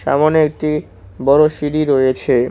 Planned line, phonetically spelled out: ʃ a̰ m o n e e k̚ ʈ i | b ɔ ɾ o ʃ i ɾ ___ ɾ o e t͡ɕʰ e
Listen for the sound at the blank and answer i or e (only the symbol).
i